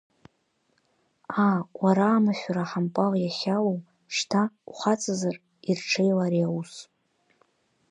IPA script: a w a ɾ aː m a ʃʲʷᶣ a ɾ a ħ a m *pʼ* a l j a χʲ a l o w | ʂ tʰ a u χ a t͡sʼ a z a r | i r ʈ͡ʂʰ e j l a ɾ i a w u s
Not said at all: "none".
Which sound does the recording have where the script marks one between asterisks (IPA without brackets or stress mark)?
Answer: pʼ